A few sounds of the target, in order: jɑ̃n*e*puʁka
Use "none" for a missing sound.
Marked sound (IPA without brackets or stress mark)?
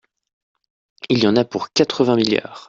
a